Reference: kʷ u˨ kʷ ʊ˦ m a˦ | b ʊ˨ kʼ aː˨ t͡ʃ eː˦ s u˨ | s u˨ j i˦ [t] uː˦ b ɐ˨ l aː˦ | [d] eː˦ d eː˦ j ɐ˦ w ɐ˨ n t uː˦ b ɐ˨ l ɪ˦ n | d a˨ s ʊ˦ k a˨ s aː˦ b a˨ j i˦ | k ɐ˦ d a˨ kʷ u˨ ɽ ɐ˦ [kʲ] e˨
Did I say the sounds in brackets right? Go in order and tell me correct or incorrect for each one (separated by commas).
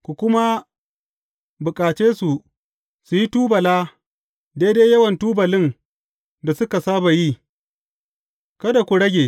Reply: correct, correct, incorrect